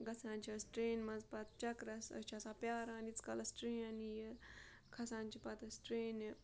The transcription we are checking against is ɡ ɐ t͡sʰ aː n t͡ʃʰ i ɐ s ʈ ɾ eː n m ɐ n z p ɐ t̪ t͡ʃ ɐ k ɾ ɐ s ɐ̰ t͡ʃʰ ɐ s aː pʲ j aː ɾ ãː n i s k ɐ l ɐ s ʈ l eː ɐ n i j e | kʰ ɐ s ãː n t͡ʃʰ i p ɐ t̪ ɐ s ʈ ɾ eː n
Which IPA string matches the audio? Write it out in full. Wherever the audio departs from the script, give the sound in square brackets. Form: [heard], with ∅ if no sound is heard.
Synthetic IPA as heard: ɡ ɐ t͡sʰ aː n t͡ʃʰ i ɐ s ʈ ɾ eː n m ɐ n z p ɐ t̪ t͡ʃ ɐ k ɾ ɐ s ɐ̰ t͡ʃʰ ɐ s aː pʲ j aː ɾ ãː n i [t͡s] k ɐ l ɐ s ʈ [ɾ] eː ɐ n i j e | kʰ ɐ s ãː n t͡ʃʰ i p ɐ t̪ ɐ s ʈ ɾ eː n